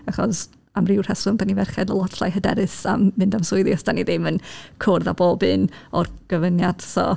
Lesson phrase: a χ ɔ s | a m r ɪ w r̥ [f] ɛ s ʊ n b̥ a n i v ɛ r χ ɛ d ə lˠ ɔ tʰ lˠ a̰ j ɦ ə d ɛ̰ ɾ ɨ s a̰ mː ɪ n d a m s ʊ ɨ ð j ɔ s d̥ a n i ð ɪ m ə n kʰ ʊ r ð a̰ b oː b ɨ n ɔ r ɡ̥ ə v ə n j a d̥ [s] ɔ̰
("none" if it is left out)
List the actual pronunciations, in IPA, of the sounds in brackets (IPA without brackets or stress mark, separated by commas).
h, s